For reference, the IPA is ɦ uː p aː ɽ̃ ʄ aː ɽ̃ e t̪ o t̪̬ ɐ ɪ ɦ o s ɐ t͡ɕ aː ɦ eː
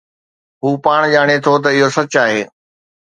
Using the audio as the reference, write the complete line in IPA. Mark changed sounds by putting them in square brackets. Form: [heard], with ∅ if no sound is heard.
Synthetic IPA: ɦ uː p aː ɽ̃ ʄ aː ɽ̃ e [t̪ʰ] o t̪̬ ɐ ɪ ɦ o s ɐ t͡ɕ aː ɦ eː